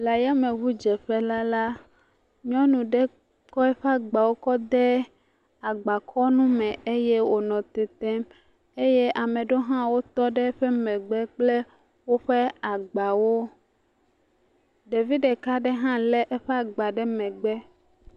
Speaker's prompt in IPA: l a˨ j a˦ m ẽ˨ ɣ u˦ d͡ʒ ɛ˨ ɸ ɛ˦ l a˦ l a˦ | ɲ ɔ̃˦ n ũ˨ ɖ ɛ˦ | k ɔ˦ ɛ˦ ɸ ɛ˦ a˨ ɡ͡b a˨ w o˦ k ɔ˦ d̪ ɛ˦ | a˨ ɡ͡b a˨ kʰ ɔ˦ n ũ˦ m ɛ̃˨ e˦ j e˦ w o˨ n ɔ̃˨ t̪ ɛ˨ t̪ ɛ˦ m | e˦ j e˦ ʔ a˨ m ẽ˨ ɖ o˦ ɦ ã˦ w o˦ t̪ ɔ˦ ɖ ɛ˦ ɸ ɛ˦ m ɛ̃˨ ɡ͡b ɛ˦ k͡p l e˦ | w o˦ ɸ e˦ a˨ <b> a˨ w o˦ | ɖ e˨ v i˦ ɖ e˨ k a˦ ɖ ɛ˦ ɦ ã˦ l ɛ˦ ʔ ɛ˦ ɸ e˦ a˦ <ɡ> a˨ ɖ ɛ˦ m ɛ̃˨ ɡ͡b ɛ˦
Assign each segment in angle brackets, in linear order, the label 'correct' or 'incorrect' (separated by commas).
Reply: incorrect, incorrect